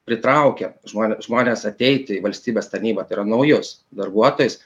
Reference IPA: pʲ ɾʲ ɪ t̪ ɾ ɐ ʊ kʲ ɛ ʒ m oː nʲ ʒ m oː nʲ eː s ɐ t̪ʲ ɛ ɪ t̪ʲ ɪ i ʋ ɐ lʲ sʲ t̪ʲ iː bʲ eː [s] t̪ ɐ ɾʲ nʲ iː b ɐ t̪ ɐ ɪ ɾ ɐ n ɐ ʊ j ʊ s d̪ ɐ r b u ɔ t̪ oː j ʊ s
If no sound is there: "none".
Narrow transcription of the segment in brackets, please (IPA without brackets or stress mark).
s